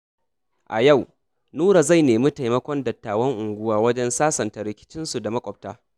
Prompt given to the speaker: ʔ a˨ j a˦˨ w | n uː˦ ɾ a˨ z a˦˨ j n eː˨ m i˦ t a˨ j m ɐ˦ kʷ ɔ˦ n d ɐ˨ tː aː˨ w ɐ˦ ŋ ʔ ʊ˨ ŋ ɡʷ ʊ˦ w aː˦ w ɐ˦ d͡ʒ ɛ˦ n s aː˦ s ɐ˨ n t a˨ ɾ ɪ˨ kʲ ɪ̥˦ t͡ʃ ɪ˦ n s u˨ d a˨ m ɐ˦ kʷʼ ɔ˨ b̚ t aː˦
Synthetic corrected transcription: ʔ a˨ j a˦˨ w | n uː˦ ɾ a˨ z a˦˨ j n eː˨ m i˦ t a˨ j m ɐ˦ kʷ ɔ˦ n d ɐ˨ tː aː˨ w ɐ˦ ŋ ʔ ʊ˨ ŋ ɡʷ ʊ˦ w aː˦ w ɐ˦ d͡ʒ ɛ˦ n s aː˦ s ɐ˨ n t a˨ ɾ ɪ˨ kʲ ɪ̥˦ t͡ʃ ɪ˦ n s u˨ d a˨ m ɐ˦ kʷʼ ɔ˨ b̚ t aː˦